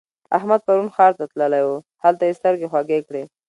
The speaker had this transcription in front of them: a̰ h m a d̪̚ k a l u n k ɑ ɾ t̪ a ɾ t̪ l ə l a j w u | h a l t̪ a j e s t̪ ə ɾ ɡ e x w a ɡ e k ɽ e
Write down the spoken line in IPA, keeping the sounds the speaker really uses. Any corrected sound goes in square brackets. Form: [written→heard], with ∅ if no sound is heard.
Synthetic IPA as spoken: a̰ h m a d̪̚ [k→p] a [l→ɾ] u n [k→x] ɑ ɾ t̪ a [ɾ→∅] t̪ l ə l a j w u | h a l t̪ a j e s t̪ ə ɾ ɡ e x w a ɡ e k ɽ e